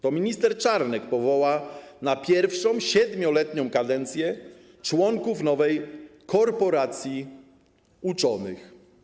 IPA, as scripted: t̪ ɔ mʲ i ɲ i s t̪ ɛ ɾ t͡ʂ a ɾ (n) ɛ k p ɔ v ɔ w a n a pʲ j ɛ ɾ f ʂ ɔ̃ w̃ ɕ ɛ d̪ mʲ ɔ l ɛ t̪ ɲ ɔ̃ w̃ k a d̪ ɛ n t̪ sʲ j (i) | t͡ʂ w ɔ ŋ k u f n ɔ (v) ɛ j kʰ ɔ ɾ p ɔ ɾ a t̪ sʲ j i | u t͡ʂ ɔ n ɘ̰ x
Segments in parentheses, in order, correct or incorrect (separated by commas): correct, incorrect, correct